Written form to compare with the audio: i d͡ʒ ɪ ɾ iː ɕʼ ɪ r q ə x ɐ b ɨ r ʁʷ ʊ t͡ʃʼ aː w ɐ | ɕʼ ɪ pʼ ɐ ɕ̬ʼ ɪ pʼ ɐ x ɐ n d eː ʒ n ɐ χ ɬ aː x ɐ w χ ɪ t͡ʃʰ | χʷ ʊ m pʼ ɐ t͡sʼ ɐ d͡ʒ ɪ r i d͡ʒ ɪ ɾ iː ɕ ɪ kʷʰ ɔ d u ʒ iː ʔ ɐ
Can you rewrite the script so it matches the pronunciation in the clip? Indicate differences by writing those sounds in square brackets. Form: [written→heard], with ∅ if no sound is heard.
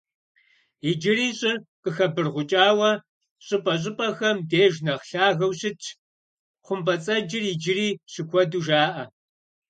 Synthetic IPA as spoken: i d͡ʒ ɪ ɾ iː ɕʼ ɪ r q ə x ɐ b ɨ r ʁʷ ʊ t͡ʃʼ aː w ɐ | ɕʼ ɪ pʼ ɐ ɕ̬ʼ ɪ pʼ ɐ x ɐ [n→m] d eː ʒ n ɐ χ ɬ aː [x→ɣ] ɐ w [χ→ɕ] ɪ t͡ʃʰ | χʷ ʊ m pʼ ɐ t͡sʼ ɐ d͡ʒ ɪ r i d͡ʒ ɪ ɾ iː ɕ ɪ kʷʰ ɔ d u ʒ [iː→aː] ʔ ɐ